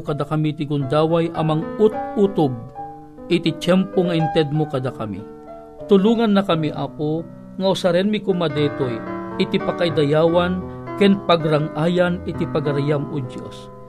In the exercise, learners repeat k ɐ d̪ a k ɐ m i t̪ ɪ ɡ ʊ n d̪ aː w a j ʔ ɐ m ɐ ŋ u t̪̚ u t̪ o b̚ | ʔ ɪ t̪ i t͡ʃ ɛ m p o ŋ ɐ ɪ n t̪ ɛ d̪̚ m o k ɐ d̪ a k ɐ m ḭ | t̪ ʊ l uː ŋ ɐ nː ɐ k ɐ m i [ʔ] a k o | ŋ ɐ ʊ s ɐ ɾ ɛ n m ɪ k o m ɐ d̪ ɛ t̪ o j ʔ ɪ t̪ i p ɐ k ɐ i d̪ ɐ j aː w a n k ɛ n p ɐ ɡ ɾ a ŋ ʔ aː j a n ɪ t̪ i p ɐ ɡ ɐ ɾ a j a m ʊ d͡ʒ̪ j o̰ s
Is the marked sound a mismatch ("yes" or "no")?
no